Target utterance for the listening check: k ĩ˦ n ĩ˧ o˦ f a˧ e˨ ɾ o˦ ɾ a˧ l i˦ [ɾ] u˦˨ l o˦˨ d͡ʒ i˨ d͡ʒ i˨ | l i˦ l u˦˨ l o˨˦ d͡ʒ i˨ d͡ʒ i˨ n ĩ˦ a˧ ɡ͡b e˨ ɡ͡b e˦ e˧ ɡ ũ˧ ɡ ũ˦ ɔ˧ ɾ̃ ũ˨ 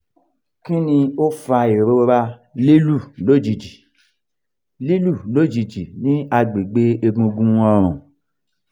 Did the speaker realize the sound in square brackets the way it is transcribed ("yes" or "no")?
no